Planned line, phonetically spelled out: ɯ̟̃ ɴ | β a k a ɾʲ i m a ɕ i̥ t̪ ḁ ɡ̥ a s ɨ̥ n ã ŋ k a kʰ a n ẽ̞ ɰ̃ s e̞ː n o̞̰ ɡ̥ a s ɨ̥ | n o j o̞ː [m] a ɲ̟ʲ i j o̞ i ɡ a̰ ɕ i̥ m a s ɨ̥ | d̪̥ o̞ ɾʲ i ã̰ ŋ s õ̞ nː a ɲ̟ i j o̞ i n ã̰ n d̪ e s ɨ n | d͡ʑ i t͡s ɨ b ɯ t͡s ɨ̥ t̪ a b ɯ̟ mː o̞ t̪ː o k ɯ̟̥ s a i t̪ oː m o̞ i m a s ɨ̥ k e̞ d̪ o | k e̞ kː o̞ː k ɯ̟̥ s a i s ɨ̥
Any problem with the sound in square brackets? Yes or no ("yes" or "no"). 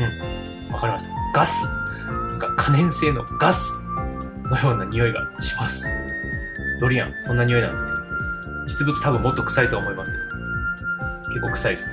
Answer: yes